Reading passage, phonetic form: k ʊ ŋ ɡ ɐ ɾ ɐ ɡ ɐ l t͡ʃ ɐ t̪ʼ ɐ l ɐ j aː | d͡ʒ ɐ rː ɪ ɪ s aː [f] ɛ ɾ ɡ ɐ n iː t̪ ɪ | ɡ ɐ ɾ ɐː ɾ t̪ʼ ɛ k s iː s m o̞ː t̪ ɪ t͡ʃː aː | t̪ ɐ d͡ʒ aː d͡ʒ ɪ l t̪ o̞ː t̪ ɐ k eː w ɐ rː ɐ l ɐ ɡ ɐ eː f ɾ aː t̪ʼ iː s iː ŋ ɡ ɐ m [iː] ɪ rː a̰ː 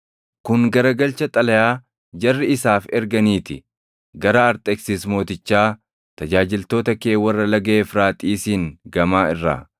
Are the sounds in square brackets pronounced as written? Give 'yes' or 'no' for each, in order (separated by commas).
yes, no